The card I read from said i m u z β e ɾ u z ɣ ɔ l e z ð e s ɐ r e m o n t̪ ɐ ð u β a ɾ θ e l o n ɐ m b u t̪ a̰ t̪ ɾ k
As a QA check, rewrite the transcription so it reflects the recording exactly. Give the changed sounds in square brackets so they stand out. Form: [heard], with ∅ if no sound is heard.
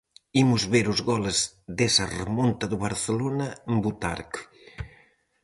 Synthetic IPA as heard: i m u z β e ɾ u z ɣ ɔ l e z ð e s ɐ r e m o n t̪ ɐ ð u β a ɾ θ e l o n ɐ m b u t̪ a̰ [∅] ɾ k